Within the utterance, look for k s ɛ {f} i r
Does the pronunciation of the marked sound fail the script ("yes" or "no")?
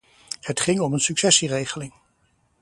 yes